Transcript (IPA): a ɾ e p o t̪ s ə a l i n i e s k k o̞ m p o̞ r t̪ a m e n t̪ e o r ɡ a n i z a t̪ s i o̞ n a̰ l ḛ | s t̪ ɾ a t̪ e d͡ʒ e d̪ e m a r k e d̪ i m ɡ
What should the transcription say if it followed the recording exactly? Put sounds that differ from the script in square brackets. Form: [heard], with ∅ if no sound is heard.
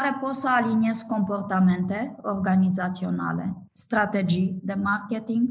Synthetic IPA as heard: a ɾ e p o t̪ s ə a l i n i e s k k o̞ m p o̞ r t̪ a m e n t̪ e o r ɡ a n i z a t̪ s i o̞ n a̰ l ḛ | s t̪ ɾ a t̪ e d͡ʒ [i] d̪ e m a r k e [t̪] i [ŋ] ɡ